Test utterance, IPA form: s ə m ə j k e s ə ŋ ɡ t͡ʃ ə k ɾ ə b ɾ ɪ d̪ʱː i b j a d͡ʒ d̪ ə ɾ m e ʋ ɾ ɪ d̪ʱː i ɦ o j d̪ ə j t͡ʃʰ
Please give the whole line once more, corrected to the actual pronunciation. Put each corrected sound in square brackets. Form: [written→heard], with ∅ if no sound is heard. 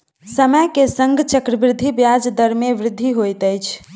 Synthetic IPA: s ə m ə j k e s ə ŋ ɡ t͡ʃ ə k ɾ ə b ɾ ɪ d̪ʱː i b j a d͡ʒ d̪ ə ɾ m e ʋ ɾ ɪ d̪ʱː i ɦ o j [d̪→t̪] ə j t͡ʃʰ